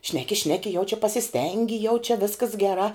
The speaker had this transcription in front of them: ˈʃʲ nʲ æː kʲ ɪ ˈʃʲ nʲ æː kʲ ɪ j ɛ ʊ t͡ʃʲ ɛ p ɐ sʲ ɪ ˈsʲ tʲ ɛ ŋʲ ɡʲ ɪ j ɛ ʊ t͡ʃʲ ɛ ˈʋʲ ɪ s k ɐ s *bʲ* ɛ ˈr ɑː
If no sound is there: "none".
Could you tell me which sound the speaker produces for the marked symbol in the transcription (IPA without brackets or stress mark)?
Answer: ɡʲ